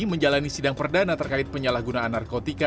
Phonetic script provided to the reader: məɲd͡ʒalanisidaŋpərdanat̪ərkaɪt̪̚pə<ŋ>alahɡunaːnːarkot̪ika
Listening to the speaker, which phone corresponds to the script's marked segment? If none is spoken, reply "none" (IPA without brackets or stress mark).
ɲ